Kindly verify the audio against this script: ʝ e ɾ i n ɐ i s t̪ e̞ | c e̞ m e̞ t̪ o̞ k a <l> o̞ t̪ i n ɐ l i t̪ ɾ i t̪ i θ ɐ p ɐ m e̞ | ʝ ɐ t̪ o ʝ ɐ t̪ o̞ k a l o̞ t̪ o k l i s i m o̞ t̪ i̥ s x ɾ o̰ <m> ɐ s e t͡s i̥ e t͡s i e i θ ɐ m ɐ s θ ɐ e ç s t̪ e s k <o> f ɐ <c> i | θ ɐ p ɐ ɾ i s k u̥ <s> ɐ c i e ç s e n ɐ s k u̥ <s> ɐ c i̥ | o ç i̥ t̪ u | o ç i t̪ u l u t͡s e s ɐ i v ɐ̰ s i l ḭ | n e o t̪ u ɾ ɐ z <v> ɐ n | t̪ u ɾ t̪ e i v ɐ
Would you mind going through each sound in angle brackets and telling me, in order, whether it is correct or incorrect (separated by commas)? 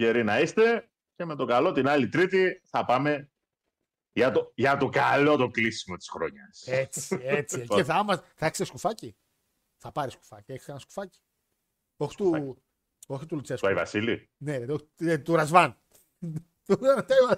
correct, incorrect, incorrect, correct, incorrect, incorrect, correct